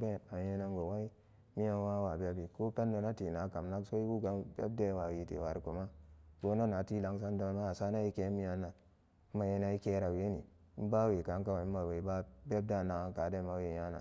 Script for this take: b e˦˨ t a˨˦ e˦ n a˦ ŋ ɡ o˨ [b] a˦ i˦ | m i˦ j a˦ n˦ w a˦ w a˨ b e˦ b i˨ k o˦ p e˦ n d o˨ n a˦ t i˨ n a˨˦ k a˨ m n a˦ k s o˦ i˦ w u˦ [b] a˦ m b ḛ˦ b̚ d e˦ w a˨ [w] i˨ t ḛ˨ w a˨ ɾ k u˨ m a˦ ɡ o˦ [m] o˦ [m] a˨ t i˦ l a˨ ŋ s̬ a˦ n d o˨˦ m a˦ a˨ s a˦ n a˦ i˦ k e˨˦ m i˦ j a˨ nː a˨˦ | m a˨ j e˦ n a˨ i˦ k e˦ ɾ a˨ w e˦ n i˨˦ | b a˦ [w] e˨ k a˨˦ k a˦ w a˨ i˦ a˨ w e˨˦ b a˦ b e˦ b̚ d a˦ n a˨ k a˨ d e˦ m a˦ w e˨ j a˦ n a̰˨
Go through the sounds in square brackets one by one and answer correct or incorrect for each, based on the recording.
incorrect, incorrect, correct, incorrect, incorrect, correct

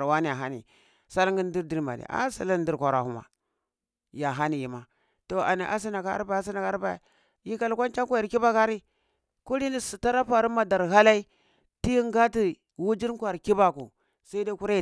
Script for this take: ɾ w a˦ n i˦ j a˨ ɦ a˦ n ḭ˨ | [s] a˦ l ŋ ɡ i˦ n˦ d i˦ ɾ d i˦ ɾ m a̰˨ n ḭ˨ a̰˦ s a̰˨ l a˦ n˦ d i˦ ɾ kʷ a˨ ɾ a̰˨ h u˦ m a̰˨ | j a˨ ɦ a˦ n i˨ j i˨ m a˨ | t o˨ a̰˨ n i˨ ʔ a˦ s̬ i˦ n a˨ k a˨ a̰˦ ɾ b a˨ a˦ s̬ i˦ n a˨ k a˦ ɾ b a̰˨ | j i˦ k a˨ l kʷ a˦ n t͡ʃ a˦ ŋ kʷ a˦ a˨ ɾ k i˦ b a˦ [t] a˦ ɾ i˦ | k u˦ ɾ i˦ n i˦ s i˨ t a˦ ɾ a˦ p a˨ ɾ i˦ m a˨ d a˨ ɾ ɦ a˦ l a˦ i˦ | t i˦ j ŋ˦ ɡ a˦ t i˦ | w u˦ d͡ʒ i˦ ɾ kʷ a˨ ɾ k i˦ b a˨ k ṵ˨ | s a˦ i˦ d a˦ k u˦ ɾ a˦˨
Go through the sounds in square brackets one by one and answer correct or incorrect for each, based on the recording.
correct, incorrect

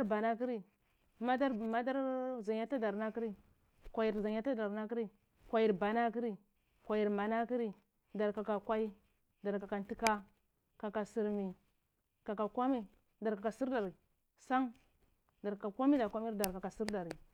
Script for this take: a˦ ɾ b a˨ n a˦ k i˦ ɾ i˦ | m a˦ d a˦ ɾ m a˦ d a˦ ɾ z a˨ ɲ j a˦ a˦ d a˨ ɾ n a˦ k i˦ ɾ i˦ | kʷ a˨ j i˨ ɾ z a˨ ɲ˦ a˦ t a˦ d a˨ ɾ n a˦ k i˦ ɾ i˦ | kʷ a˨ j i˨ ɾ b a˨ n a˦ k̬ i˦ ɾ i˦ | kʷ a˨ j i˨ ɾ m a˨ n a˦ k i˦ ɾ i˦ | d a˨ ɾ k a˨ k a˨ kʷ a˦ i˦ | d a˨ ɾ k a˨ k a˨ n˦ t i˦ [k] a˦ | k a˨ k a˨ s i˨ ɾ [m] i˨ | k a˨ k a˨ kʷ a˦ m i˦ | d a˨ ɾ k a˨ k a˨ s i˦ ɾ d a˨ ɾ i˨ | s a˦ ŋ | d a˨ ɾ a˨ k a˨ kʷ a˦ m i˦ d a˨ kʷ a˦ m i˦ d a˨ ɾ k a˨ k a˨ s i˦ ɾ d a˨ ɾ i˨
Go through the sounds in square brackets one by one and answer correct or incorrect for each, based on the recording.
correct, correct

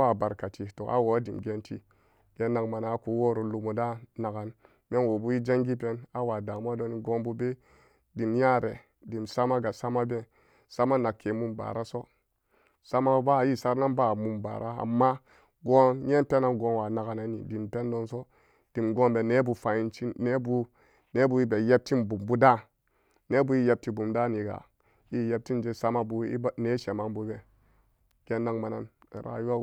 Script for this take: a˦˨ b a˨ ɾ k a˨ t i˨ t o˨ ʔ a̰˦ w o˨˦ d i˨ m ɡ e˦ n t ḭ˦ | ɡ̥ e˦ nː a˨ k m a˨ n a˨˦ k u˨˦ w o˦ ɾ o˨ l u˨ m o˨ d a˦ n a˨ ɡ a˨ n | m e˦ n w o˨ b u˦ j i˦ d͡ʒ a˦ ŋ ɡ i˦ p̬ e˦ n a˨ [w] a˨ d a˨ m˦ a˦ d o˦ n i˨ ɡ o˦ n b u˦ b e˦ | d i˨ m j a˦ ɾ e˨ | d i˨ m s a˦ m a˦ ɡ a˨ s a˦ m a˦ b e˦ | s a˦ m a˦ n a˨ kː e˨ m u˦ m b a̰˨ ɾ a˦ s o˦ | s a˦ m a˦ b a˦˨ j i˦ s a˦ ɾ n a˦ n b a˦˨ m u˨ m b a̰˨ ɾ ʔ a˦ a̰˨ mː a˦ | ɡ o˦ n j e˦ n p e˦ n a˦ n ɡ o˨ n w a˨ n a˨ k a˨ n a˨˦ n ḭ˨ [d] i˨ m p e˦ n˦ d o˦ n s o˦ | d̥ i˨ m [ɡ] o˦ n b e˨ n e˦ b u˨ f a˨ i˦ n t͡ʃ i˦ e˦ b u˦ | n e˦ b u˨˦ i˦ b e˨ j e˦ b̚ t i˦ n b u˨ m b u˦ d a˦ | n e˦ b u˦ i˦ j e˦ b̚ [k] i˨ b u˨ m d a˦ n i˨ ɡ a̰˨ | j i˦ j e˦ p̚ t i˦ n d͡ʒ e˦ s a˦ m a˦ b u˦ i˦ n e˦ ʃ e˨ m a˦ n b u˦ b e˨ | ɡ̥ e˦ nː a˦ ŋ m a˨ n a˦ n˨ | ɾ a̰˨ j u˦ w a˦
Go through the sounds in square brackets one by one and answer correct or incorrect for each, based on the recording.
correct, correct, correct, incorrect

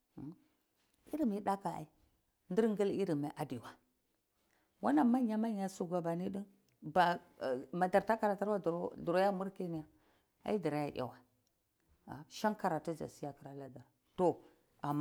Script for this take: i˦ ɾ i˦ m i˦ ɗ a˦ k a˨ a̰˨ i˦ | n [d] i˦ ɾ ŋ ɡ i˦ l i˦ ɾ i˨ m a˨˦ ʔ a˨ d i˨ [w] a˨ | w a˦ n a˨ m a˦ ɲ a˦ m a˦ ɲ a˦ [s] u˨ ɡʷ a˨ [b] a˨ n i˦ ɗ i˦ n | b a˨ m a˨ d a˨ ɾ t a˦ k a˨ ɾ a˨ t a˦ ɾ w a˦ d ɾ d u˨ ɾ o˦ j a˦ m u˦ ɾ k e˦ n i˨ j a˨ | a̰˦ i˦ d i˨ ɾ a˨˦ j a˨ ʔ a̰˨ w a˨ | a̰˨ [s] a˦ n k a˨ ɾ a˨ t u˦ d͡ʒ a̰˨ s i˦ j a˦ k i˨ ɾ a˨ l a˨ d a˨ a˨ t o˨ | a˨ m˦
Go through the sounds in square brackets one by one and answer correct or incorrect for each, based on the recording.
correct, correct, correct, correct, incorrect

